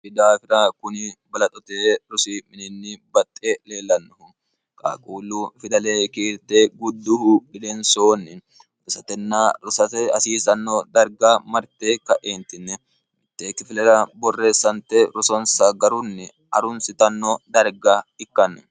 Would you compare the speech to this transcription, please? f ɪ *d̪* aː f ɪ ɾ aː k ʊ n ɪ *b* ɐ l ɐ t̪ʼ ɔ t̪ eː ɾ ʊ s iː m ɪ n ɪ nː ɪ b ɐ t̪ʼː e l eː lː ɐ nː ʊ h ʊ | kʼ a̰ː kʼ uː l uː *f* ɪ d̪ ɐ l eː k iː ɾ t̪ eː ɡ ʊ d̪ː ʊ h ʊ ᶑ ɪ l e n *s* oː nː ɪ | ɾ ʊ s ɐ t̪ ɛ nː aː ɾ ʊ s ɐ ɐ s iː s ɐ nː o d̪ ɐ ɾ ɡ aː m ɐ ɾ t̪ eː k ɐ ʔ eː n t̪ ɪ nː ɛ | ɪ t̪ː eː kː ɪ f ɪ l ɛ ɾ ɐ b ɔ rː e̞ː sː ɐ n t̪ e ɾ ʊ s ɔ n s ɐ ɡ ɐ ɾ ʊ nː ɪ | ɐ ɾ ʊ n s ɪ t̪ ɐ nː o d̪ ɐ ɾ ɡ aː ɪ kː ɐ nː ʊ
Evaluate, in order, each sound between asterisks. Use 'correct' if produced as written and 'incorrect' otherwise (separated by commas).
correct, correct, correct, correct